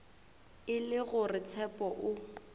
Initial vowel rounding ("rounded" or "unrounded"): unrounded